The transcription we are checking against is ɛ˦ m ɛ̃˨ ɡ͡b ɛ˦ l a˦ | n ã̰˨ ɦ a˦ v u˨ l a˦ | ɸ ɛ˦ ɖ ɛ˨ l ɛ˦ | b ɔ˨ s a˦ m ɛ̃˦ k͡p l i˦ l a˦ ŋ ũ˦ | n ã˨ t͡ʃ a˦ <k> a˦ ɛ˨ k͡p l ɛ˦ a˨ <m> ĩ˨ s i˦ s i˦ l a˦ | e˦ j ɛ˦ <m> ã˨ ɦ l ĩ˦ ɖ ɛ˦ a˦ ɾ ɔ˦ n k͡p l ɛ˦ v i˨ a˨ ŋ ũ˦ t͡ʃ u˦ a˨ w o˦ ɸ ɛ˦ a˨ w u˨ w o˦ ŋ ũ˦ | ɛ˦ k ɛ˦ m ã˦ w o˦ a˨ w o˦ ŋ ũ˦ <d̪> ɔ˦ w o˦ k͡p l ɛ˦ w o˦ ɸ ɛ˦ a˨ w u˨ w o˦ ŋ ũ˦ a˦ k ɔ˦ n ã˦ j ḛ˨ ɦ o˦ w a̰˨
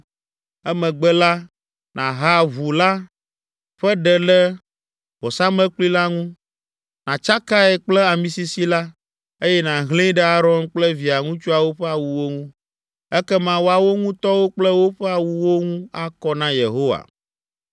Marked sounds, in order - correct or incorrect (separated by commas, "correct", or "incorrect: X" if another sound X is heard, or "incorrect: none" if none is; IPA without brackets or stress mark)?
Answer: correct, correct, incorrect: n, incorrect: t̪